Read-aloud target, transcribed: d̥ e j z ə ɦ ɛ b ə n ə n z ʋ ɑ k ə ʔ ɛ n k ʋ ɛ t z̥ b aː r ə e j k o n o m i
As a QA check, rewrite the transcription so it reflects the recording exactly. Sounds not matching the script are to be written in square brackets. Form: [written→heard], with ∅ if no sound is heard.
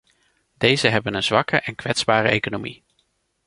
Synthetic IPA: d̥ e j z ə ɦ ɛ b ə n ə n z ʋ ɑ k ə ʔ ɛ n k ʋ ɛ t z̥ b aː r ə e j k o n o m i

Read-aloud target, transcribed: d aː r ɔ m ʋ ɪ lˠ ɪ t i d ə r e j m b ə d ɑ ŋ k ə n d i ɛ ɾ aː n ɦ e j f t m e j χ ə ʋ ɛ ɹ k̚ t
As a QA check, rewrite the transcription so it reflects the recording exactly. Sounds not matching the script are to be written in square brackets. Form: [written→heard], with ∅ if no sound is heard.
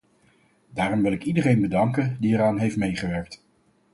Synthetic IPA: d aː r ɔ m ʋ ɪ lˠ ɪ [t→k] i d ə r e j [m→n] b ə d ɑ ŋ k ə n d i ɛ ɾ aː n ɦ e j f t m e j χ ə ʋ ɛ ɹ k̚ t

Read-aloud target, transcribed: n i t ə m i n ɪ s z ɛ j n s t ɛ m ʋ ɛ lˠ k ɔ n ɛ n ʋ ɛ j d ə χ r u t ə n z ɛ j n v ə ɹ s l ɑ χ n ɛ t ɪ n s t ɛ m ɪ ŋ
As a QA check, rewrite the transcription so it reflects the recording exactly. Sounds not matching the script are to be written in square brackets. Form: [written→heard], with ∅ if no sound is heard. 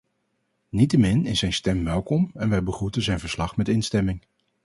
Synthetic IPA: n i t ə m [i→ɪ] n ɪ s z ɛ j n s t ɛ m ʋ ɛ lˠ k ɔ [n→m] ɛ n ʋ ɛ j [d→b] ə χ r u t ə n z ɛ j n v ə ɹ s l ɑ χ [n→m] ɛ t ɪ n s t ɛ m ɪ ŋ

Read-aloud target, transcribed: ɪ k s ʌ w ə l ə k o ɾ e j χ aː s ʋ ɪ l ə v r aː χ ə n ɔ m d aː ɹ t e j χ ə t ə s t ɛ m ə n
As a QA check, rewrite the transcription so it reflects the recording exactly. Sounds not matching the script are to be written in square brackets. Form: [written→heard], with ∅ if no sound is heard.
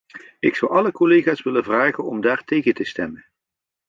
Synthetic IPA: ɪ k s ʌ w [ə→ɑ] l ə k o [ɾ→l] e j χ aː s ʋ ɪ l ə v r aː χ ə n ɔ m d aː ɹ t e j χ ə t ə s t ɛ m ə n

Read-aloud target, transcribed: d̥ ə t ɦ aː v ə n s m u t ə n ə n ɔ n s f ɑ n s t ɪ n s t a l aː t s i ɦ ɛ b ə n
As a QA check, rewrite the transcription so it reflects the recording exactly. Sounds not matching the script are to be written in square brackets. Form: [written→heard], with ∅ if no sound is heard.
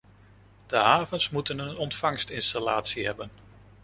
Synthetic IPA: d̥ ə [t→∅] ɦ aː v ə n s m u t ə n ə n ɔ n [s→t] f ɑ [n→ŋ] s t ɪ n s t a l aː t s i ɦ ɛ b ə n

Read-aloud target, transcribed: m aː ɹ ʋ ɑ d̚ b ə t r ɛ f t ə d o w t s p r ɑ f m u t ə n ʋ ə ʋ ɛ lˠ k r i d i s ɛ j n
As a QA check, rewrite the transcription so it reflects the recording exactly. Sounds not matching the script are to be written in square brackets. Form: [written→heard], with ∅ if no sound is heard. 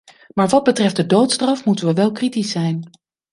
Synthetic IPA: m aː ɹ ʋ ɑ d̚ b ə t r ɛ f [t→d] ə d o w t s [p→t] r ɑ f m u t ə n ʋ ə ʋ ɛ lˠ k r i [d→t] i s ɛ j n

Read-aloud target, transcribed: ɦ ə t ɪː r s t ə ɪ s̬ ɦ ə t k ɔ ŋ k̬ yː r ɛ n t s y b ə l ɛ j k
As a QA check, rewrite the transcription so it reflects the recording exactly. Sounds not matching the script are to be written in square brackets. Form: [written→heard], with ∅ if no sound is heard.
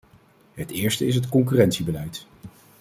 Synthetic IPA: ɦ ə t ɪː [r→ɹ] s t ə ɪ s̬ ɦ ə t k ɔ ŋ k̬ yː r ɛ n t s [y→i] b ə l ɛ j [k→t]

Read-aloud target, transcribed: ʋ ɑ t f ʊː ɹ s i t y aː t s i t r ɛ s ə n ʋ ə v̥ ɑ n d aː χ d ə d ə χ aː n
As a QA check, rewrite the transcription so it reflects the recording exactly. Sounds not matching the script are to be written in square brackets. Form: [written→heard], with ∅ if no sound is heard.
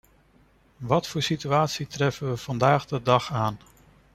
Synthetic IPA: ʋ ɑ t f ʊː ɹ s i t y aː t s i t r ɛ [s→f] ə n ʋ ə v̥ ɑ n d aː χ d ə d [ə→ɑ] χ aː n

